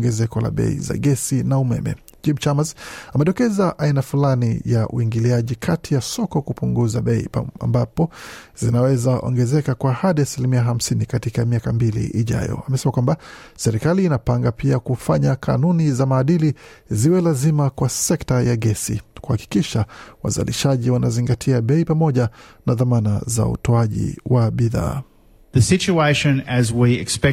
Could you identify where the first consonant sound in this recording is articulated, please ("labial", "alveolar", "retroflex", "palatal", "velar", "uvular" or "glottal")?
velar